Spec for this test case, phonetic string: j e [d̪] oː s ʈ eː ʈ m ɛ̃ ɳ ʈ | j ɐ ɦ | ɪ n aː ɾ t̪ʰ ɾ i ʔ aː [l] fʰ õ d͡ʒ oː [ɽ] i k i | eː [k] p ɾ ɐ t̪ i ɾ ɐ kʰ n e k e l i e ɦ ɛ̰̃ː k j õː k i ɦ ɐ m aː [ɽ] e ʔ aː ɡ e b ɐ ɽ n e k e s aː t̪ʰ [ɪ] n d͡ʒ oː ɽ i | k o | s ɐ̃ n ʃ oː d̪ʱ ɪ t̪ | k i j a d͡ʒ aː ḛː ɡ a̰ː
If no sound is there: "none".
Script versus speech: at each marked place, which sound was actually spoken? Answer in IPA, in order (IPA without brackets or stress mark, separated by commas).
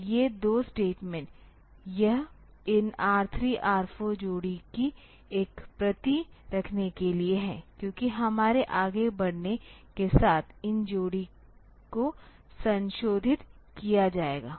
d̪, ɾ, ɽ, k, ɾ, ɪ